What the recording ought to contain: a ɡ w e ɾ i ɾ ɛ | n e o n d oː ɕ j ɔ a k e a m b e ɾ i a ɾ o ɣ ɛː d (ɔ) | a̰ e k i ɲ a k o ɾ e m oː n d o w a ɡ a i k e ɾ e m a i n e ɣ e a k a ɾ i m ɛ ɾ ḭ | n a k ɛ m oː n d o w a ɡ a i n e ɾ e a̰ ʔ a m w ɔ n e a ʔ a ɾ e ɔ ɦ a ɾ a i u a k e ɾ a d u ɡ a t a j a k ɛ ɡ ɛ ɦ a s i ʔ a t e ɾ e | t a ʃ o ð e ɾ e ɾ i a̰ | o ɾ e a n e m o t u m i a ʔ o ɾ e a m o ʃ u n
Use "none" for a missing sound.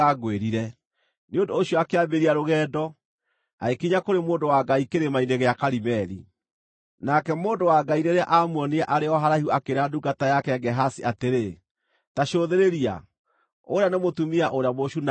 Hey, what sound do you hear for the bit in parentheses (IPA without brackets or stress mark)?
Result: ɔ